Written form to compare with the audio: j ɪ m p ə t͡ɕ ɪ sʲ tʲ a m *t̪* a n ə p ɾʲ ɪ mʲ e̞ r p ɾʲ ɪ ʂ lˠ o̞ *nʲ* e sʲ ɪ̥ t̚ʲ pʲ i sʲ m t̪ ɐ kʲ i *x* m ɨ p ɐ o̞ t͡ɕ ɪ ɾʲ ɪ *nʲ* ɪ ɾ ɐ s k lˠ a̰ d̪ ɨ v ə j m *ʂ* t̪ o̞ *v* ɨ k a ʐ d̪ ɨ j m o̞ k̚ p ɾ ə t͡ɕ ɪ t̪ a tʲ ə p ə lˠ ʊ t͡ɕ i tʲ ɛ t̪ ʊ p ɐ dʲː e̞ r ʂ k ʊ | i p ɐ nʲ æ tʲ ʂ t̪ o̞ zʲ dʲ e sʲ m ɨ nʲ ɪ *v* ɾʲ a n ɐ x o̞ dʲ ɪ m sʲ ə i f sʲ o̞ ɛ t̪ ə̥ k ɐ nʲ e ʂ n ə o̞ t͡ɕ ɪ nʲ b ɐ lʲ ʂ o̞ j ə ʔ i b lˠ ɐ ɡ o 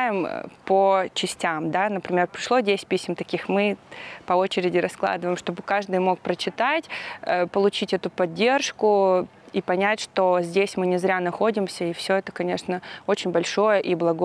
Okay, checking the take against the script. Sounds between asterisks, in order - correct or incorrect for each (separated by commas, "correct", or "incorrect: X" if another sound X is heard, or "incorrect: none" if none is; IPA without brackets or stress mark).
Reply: incorrect: d̪, incorrect: dʲ, correct, incorrect: dʲ, correct, incorrect: b, incorrect: z